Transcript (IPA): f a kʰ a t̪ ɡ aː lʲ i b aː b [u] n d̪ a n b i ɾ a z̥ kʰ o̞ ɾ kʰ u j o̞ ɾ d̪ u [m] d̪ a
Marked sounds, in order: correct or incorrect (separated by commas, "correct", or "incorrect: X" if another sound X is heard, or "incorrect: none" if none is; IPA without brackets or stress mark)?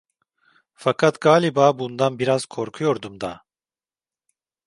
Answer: correct, correct